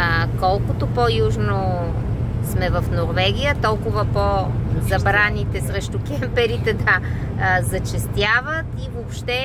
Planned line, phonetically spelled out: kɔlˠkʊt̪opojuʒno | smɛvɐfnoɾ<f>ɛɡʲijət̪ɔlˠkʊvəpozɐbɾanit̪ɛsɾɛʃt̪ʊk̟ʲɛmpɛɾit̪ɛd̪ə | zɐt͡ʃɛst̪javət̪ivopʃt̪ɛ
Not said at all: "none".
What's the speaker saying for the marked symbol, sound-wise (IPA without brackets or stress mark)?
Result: v